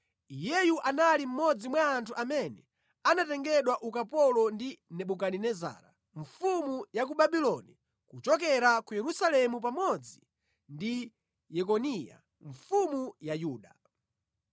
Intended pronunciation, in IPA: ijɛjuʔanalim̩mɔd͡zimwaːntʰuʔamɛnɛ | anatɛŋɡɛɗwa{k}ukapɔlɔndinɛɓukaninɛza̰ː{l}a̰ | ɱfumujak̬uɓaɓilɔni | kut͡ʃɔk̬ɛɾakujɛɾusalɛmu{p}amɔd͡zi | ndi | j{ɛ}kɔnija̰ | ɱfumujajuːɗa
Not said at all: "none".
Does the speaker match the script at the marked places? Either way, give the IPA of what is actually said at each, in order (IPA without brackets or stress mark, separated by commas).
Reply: ʔ, ɾ, p, ɛ